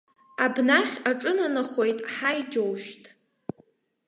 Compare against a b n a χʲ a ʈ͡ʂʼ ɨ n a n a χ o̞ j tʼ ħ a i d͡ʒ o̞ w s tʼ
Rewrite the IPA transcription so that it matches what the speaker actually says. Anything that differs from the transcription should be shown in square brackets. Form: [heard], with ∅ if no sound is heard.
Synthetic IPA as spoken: a b n a χʲ a ʈ͡ʂʼ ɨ n a n a χ o̞ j tʼ ħ a [j] d͡ʒ o̞ w [ʃ] tʼ